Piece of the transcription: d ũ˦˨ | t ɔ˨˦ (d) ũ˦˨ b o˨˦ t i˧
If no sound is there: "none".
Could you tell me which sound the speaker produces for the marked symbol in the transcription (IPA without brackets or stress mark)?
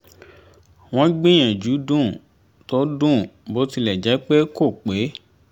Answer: d